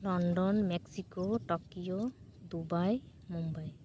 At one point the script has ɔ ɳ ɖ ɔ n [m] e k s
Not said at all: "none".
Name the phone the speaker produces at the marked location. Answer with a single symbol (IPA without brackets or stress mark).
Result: m